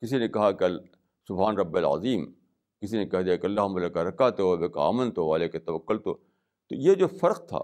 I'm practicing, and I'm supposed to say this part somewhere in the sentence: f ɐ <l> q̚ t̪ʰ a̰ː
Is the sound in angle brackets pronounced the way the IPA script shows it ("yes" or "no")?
no